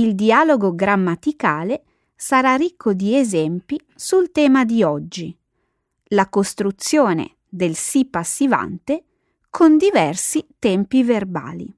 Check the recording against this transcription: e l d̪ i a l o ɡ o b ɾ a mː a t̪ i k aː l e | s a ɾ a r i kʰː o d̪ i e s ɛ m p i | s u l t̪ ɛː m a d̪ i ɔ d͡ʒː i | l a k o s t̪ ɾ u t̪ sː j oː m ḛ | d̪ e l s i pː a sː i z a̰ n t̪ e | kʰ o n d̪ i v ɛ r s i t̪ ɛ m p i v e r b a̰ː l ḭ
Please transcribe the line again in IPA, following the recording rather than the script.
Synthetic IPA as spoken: i l d̪ i a l o ɡ o ɡ ɾ a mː a t̪ i k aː l e | s a ɾ a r i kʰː o d̪ i e z ɛ m p i | s u l t̪ ɛː m a d̪ i ɔ d͡ʒː i | l a k o s t̪ ɾ u t̪ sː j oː n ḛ | d̪ e l s i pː a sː i v a̰ n t̪ e | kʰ o n d̪ i v ɛ r s i t̪ ɛ m p i v e r b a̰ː l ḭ